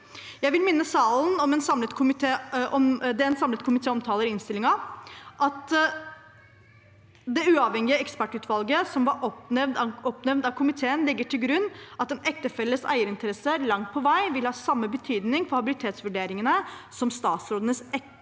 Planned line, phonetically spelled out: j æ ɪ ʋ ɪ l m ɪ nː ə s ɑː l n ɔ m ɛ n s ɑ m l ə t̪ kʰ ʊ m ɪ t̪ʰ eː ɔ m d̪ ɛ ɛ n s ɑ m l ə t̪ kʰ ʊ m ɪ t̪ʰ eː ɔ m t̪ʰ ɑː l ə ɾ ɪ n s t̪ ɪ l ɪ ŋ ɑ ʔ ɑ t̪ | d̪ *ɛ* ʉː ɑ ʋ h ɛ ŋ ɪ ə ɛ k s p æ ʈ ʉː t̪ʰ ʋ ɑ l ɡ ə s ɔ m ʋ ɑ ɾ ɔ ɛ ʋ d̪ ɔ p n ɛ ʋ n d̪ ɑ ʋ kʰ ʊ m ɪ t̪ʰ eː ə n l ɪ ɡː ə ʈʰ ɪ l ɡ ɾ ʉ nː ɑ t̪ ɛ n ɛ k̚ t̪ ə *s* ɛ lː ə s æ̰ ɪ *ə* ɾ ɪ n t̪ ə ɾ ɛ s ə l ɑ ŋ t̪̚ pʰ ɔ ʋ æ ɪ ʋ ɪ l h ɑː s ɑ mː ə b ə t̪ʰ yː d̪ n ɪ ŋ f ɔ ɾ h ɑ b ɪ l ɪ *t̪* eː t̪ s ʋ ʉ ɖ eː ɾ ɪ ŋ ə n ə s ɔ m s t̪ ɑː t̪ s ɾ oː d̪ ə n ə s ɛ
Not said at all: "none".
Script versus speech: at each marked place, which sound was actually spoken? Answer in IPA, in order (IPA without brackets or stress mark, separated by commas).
ɛ, f, ə, t̪ʰ